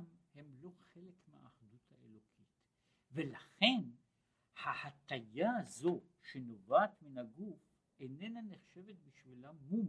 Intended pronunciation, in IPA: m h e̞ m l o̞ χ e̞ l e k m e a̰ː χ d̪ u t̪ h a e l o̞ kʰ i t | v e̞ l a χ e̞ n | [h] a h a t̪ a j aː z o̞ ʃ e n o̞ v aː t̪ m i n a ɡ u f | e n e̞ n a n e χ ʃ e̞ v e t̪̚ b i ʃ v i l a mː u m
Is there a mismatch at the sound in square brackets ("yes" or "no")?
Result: no